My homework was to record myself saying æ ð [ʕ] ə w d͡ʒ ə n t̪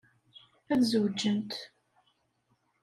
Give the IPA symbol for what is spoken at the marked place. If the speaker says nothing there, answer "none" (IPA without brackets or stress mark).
z